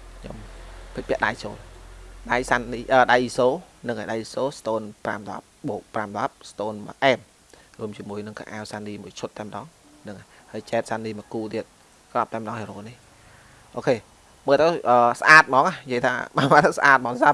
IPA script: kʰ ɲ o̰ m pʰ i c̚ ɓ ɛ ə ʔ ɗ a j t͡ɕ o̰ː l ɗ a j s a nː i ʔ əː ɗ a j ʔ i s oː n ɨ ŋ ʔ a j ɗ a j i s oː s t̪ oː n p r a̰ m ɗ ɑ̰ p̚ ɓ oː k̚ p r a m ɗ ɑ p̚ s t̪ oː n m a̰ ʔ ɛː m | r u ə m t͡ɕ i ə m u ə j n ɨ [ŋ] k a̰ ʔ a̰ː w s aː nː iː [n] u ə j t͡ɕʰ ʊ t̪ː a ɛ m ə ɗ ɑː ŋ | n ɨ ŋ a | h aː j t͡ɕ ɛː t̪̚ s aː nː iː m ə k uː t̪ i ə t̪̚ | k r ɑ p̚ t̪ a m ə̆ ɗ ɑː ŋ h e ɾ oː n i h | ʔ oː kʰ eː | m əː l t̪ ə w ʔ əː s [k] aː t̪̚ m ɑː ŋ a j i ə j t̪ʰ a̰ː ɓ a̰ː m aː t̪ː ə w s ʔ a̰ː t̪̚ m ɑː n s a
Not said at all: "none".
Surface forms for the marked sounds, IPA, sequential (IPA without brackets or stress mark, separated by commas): ŋ, m, ʔ